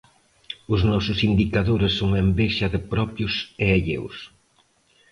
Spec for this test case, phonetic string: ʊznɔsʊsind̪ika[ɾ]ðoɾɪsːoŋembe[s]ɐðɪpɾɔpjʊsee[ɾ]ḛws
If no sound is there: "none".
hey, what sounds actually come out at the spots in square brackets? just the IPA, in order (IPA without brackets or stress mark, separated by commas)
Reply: none, ʃ, ʎ